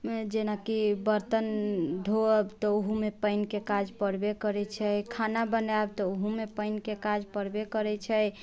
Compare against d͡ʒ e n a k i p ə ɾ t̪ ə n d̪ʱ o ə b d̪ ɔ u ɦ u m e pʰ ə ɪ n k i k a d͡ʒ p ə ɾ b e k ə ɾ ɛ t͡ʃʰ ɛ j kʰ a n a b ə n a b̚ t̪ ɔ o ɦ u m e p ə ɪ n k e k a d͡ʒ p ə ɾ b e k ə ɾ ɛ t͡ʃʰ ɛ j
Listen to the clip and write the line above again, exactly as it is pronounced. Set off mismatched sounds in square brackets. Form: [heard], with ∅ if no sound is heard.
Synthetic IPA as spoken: d͡ʒ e n a k i [b] ə ɾ t̪ ə n d̪ʱ o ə b [t̪] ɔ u ɦ u m e [p] ə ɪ n k [e] k a d͡ʒ p ə ɾ b e k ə ɾ ɛ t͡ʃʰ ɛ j kʰ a n a b ə n a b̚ t̪ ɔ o ɦ u m e p ə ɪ n k e k a d͡ʒ p ə ɾ b e k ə ɾ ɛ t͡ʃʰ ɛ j